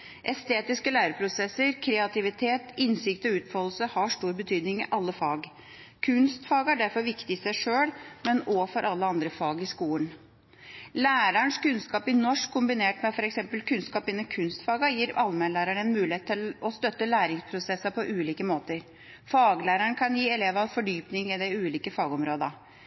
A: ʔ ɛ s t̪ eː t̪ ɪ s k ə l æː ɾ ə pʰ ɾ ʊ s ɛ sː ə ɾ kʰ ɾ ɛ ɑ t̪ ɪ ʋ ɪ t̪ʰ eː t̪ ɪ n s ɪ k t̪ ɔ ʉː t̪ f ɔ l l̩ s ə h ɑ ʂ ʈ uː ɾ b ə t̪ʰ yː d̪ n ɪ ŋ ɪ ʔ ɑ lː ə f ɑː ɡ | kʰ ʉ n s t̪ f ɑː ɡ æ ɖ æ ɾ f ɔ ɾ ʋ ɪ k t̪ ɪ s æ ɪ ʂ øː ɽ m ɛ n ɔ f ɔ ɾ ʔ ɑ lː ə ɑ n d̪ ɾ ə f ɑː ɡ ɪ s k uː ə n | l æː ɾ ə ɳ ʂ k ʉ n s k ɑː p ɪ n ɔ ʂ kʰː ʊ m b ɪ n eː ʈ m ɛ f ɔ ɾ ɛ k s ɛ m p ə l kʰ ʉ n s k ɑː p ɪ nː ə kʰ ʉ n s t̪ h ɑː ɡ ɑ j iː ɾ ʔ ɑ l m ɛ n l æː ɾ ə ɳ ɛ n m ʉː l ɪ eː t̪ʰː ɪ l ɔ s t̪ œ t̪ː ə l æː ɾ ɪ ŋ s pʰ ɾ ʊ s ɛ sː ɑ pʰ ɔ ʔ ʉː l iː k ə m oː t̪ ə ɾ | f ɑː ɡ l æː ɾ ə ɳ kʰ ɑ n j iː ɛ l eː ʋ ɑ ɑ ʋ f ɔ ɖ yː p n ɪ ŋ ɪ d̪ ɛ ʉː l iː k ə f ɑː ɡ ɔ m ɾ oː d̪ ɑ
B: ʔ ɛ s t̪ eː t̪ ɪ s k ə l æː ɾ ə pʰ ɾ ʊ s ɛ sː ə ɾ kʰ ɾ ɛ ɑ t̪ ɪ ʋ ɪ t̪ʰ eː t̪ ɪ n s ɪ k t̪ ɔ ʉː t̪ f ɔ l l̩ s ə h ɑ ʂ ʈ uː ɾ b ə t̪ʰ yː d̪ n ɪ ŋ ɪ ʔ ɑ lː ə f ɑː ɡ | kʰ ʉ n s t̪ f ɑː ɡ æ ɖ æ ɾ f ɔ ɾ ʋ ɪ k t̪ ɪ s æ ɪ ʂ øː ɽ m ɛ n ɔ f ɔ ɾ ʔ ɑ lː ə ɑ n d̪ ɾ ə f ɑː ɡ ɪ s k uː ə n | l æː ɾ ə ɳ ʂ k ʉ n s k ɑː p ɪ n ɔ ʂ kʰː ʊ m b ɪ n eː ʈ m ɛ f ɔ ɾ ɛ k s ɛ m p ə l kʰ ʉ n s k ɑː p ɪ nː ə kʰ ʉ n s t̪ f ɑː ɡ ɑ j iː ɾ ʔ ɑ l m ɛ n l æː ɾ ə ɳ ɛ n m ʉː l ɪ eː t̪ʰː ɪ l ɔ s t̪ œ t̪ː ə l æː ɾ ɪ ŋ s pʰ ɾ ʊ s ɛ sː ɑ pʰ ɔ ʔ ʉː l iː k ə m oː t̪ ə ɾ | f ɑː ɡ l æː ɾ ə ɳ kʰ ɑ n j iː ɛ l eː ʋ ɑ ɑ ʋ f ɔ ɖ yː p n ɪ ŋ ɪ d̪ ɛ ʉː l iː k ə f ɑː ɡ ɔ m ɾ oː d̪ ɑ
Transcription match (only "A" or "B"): B